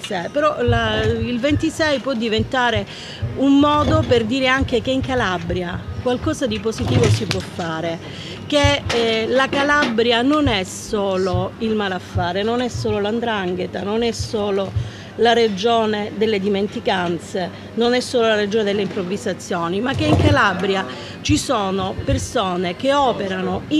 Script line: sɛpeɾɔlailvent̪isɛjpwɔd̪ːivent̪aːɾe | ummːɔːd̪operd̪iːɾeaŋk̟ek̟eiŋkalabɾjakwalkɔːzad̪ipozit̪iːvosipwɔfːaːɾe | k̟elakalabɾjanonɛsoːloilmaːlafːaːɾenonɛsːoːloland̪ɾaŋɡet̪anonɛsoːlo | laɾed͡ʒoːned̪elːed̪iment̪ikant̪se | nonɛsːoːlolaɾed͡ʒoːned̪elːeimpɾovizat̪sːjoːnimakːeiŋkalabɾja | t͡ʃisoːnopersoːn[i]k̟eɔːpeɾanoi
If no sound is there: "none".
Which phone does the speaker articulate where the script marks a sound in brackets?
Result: e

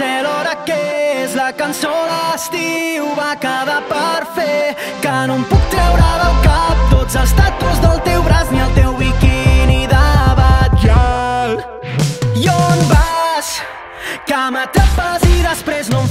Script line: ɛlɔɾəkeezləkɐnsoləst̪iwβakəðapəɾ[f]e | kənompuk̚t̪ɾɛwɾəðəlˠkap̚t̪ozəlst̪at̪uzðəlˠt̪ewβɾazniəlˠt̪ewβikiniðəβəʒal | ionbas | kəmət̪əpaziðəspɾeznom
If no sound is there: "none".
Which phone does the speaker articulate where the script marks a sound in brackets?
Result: f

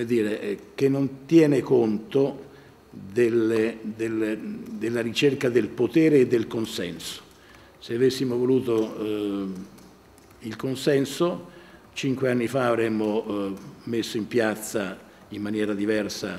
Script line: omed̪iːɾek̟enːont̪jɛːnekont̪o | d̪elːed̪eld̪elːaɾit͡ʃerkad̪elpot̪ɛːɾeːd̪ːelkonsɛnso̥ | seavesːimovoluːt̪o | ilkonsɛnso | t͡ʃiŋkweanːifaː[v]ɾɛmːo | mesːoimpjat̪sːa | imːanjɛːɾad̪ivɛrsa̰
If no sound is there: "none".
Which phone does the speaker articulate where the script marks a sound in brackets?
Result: v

